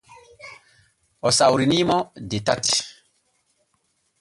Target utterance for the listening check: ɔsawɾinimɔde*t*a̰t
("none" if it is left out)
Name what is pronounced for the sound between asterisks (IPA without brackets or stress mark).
t